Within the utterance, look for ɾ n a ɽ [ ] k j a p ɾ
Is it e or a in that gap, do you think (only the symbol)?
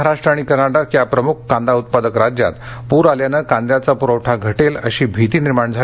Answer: a